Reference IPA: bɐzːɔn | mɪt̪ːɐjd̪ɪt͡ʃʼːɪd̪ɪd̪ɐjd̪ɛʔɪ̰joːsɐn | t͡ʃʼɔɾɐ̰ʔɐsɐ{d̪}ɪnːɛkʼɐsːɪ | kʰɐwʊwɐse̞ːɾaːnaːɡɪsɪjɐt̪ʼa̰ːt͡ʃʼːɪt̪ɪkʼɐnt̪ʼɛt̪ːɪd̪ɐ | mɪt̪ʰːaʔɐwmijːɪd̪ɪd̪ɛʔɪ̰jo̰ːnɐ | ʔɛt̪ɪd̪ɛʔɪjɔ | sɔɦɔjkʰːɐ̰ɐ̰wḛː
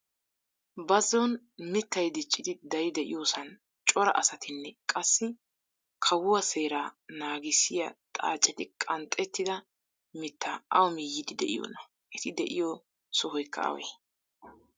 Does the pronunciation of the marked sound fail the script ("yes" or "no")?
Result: yes